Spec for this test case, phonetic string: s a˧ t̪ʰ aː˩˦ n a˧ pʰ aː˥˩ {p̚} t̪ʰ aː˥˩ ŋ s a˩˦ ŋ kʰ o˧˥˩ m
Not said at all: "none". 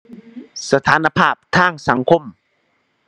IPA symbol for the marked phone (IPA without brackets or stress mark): p̚